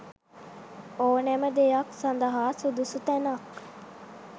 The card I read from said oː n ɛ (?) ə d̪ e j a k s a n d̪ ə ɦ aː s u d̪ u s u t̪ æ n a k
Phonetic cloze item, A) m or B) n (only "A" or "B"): A